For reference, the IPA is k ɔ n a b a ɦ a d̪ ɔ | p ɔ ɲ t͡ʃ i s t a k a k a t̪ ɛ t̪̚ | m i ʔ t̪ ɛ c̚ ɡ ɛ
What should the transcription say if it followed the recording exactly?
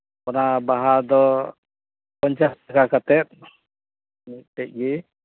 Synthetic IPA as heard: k ɔ n a b a ɦ a d̪ ɔ | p ɔ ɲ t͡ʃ a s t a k a k a t̪ ɛ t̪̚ | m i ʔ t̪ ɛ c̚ ɡ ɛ